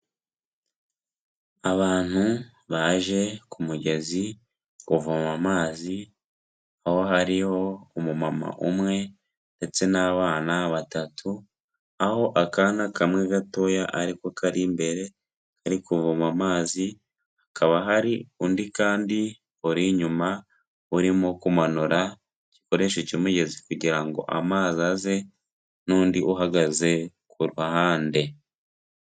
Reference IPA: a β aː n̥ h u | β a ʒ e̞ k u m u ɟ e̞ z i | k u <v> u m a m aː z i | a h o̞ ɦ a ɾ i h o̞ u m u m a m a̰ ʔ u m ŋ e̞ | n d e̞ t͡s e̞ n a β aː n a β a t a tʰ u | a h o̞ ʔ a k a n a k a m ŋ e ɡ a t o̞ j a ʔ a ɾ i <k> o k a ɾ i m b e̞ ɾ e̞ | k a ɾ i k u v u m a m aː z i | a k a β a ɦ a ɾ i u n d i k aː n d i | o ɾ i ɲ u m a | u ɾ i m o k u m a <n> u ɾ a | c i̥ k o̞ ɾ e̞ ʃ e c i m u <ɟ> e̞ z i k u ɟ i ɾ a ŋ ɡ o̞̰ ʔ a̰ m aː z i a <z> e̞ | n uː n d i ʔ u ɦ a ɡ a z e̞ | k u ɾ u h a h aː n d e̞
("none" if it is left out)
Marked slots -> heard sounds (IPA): v, k, n, ɟ, z

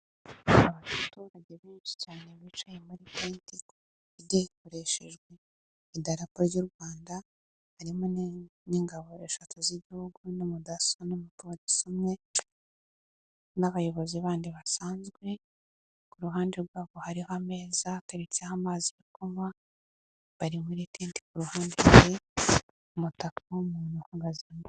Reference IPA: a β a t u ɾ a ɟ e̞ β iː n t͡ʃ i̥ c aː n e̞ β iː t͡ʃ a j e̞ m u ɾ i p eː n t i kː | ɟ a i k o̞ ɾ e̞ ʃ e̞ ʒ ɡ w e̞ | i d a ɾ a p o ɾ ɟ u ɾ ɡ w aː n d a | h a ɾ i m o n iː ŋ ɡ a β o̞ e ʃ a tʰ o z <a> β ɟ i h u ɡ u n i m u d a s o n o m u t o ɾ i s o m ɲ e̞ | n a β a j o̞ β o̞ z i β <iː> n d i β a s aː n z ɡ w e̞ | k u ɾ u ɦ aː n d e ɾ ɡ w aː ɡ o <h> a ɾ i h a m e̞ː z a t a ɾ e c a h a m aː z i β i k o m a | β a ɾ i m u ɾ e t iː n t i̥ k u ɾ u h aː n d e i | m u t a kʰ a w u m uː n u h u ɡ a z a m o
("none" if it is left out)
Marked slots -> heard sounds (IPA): i, aː, h

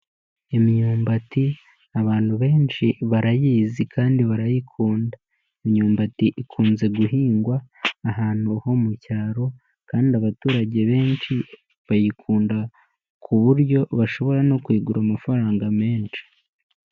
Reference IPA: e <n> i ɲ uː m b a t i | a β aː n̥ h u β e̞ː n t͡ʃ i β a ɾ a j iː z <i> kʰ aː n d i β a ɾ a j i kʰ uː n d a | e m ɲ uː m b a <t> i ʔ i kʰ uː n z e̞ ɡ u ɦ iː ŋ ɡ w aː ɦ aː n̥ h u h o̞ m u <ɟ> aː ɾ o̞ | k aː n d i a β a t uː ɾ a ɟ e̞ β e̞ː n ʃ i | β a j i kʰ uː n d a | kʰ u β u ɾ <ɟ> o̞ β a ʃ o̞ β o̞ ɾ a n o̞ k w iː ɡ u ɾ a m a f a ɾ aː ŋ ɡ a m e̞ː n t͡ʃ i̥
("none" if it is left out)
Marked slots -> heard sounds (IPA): m, i, t, c, ɟ

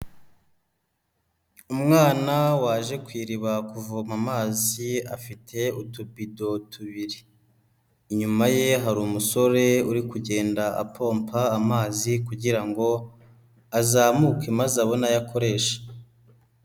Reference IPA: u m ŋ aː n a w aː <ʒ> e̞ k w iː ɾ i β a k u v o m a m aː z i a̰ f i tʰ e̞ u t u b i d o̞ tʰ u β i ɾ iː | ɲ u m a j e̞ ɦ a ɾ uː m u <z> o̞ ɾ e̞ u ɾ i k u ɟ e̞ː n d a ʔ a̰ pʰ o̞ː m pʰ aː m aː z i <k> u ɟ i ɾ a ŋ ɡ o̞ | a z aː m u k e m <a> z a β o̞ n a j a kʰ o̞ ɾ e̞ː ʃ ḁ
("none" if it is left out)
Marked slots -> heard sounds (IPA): ʒ, s, k, a

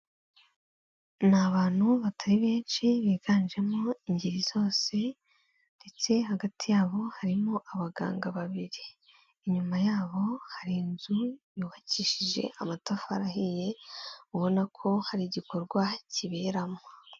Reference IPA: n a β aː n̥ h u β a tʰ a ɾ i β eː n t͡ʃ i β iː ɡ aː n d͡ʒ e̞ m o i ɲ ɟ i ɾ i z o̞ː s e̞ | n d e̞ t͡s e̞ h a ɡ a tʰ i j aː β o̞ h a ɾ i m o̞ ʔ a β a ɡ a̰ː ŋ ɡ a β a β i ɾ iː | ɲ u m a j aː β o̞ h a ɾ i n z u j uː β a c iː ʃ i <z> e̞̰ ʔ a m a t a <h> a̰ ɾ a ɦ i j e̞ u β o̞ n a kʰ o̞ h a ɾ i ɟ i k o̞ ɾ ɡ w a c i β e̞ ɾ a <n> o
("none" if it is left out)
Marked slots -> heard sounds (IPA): ʒ, f, m

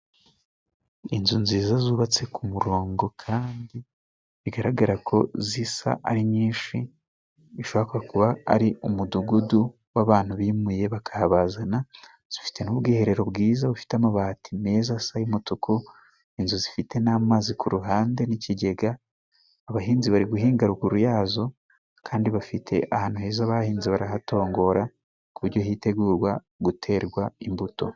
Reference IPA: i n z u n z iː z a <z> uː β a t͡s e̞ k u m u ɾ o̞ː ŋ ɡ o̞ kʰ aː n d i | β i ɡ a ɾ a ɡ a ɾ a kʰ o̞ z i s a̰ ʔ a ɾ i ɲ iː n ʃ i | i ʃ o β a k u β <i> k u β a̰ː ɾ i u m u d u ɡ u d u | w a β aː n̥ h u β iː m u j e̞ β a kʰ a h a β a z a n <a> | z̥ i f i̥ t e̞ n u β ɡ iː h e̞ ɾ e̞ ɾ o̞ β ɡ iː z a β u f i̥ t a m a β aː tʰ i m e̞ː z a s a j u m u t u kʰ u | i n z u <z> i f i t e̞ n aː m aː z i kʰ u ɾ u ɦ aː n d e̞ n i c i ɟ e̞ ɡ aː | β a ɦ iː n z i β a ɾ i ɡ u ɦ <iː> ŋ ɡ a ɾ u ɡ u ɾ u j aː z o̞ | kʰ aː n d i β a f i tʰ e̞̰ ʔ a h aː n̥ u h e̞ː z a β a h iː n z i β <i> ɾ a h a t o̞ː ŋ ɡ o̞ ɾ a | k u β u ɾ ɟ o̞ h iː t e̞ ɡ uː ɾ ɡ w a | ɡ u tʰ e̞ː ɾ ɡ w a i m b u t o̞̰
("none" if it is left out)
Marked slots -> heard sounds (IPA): z, a, a, z, iː, a

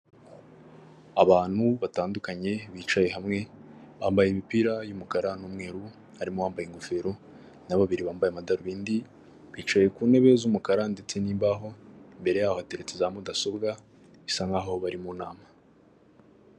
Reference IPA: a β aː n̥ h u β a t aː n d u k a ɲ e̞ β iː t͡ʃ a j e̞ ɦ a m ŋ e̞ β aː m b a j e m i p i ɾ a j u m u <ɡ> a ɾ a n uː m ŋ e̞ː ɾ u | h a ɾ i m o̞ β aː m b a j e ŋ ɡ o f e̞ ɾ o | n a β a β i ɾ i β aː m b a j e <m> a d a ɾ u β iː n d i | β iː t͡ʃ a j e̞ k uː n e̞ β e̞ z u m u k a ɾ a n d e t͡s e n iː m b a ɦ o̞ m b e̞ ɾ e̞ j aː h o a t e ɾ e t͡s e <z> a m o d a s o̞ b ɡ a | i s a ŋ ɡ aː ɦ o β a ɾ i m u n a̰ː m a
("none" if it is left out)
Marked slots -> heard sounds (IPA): k, m, z

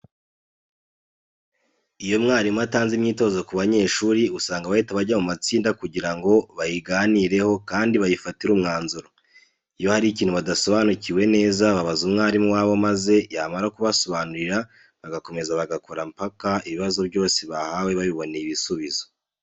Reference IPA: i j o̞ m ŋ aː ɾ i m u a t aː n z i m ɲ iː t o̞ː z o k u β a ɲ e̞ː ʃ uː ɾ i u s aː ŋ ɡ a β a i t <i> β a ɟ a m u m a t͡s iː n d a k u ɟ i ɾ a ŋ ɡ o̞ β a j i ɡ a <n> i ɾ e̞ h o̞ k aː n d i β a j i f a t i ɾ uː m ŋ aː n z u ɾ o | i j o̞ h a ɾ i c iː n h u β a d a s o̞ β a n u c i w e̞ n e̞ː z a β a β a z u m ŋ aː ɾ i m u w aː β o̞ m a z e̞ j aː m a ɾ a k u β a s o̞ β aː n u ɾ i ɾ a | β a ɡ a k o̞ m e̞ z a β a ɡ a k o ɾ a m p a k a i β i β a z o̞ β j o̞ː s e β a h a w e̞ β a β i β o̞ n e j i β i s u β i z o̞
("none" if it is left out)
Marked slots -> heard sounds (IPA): a, n

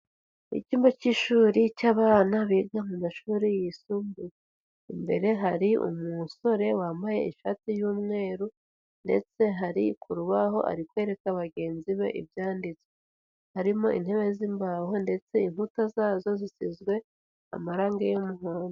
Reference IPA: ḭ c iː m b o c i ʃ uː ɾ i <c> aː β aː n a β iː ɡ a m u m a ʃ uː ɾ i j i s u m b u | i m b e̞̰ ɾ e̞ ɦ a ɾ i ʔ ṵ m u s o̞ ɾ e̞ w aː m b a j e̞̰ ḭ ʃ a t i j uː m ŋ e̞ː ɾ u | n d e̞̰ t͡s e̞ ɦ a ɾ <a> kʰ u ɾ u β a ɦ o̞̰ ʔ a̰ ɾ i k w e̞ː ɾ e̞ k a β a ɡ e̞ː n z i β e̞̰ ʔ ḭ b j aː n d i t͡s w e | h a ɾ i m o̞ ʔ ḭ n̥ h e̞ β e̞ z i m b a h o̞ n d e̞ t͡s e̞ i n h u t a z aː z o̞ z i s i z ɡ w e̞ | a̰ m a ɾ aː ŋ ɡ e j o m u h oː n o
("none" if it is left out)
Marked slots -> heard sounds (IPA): c, i

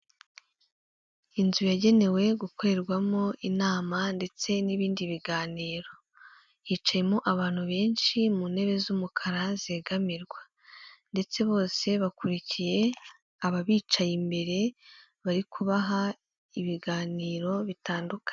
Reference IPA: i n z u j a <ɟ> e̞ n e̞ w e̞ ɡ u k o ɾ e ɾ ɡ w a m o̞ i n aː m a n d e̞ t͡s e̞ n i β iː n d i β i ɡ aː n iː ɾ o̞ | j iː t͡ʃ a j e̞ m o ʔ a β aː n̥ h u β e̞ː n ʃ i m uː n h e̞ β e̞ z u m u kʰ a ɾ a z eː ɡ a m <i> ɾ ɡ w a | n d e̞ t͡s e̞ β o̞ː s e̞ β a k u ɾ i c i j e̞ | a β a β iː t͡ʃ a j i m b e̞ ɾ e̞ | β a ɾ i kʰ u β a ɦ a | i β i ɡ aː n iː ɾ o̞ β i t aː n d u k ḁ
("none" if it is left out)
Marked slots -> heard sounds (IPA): ɟ, i

